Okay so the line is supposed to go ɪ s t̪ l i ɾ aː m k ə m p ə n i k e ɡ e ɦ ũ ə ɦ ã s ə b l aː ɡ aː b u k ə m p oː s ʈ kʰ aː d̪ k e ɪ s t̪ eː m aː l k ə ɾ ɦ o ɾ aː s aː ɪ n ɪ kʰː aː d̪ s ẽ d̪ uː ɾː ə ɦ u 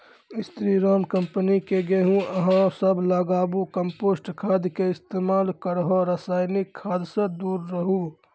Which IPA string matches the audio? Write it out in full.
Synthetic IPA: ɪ s t̪ ɾ i ɾ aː m k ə m p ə n i k e ɡ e ɦ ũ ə ɦ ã s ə b l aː ɡ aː b u k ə m p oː s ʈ kʰ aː d̪ k e ɪ s t̪ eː m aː l k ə ɾ ɦ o ɾ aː s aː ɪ n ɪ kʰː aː d̪ s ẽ d̪ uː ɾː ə ɦ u